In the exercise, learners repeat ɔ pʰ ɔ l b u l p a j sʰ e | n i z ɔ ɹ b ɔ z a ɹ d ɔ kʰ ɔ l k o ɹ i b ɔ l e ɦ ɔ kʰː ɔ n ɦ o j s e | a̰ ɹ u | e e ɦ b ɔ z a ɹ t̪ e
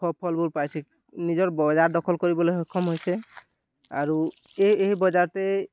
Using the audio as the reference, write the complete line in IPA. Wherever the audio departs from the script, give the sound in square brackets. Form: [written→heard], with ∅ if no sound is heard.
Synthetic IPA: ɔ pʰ ɔ l b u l p a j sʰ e | n i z ɔ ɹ b ɔ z a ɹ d ɔ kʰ ɔ l k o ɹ i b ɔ l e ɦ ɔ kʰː ɔ [n→m] ɦ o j s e | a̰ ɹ u | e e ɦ b ɔ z a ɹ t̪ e